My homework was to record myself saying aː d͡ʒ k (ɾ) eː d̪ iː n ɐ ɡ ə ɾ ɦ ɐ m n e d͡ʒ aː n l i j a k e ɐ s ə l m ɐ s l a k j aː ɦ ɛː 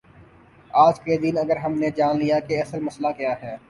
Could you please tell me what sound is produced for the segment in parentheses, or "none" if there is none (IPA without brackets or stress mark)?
ɾ